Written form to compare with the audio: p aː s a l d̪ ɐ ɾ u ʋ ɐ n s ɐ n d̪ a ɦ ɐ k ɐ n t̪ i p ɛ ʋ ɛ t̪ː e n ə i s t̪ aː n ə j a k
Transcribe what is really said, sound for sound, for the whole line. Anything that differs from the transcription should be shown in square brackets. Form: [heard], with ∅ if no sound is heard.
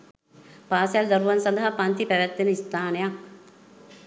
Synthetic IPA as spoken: p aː s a l d̪ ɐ ɾ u ʋ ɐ n s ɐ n d̪ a ɦ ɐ [p] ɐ n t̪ i p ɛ ʋ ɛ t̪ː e n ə i s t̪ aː n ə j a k